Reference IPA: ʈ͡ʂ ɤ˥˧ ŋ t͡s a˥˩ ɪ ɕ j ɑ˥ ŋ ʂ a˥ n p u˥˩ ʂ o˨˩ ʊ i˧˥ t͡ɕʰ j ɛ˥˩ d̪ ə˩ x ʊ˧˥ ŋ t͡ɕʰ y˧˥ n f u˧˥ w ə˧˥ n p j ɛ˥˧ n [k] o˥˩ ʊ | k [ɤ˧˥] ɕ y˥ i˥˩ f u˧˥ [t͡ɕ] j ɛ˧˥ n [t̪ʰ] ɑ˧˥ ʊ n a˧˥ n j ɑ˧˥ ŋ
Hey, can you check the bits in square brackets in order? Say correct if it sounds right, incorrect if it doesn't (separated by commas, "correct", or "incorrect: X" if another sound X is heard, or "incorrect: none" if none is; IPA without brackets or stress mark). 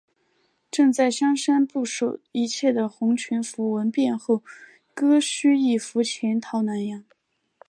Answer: incorrect: x, incorrect: ɤ˥, incorrect: t͡ɕʰ, correct